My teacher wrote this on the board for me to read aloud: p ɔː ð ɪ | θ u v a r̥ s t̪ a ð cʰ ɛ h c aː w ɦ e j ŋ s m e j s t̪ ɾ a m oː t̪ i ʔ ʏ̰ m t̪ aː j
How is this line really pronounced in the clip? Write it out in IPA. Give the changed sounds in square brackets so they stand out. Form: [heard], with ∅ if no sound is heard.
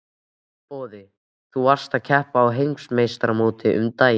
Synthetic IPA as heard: p ɔː ð ɪ | θ u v a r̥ s t̪ a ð cʰ ɛ h [p] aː w ɦ e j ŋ s m e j s t̪ ɾ a m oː t̪ [ɪ] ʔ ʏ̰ m t̪ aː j

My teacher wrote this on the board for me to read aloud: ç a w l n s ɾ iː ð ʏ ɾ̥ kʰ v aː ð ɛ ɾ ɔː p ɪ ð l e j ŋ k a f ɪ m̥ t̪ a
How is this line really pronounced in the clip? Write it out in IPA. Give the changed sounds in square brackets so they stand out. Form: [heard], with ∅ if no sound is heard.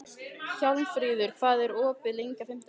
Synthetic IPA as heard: ç a w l n [f] ɾ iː ð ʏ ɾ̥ kʰ v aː ð ɛ ɾ ɔː p ɪ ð l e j ŋ k a f ɪ m̥ t̪ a

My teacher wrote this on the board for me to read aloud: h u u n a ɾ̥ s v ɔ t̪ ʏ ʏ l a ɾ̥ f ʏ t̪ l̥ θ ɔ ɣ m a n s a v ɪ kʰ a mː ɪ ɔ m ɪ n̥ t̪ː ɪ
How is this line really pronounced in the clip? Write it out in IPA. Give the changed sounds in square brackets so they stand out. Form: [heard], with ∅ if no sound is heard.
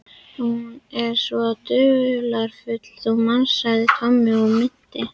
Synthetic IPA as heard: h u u n [ɛ] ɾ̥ s v ɔ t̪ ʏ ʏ l a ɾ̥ f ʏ t̪ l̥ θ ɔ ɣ m a n s a [ð] ɪ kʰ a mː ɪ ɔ m ɪ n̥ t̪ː ɪ

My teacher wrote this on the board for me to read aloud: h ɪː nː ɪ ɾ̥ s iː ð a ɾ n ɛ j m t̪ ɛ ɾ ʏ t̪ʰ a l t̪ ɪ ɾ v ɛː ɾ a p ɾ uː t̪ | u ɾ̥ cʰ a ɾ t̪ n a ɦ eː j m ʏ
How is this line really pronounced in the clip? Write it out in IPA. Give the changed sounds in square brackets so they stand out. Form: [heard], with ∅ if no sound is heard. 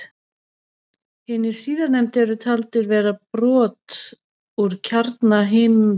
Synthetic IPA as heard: h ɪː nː ɪ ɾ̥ s iː ð a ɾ n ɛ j m t̪ ɛ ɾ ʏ t̪ʰ a l t̪ ɪ ɾ v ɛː ɾ a p ɾ [ɔː] t̪ | u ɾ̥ cʰ a ɾ t̪ n a ɦ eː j m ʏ

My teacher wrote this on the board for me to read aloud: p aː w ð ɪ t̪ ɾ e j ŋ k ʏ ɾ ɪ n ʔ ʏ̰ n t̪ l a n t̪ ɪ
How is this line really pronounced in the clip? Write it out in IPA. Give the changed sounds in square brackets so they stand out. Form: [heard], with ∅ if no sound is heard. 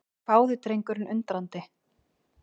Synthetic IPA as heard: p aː w ð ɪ t̪ ɾ e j ŋ k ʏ ɾ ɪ n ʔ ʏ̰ n t̪ [ɾ] a n t̪ ɪ

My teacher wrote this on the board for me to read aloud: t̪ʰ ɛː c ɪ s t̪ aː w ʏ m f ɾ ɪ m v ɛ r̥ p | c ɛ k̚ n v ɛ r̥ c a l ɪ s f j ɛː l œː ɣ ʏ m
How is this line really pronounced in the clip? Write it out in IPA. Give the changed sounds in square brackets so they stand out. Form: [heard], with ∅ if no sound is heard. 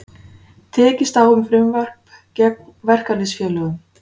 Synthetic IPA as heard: t̪ʰ ɛː c ɪ s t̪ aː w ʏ m f ɾ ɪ m v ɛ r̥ p | c ɛ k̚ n v ɛ r̥ [k] a l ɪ s f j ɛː l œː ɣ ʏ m

